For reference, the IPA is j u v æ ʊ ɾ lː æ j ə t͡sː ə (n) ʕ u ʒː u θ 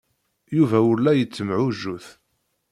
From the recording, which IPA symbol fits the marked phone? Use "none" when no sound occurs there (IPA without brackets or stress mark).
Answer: m